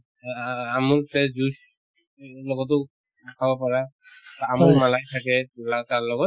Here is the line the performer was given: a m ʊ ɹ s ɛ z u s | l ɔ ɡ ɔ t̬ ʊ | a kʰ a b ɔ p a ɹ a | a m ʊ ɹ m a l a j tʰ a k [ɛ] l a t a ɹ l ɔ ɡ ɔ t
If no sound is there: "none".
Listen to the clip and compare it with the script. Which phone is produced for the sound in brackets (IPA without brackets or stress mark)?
ɛ